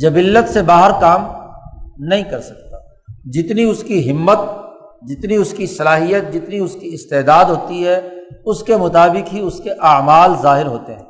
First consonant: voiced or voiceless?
voiced